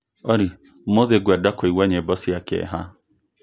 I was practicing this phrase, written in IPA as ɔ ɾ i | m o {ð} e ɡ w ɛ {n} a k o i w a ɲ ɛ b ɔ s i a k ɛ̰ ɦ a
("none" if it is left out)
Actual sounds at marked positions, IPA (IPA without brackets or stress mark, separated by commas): ð, d